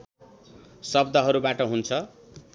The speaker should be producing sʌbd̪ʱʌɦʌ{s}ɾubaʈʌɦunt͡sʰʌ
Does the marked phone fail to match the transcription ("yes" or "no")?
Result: yes